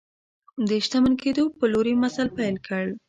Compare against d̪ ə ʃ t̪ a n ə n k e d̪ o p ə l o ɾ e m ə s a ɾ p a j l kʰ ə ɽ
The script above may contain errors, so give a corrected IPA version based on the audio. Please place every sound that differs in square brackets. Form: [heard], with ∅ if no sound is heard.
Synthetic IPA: d̪ ə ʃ t̪ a [m] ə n k e d̪ o p ə l o ɾ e m [a] s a [l] p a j l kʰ ə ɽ